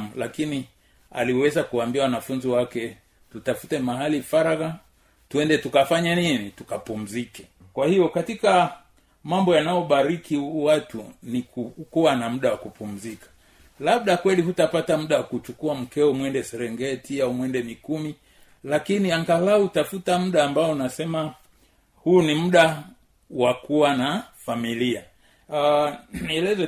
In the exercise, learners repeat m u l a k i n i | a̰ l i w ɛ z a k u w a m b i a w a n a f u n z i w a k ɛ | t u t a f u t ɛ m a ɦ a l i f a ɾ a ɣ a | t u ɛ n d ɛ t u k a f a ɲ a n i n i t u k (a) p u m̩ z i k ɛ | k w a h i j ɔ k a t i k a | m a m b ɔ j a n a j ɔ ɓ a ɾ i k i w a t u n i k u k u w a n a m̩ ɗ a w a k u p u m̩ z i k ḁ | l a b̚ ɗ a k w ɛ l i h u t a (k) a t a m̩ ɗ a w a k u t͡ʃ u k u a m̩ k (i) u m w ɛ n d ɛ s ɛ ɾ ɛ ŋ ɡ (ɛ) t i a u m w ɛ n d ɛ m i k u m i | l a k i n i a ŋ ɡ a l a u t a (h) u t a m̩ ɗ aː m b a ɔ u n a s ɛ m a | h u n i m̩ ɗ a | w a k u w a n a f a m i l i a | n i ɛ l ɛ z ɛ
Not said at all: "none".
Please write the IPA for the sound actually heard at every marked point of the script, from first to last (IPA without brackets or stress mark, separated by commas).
a, p, ɛ, ɛ, f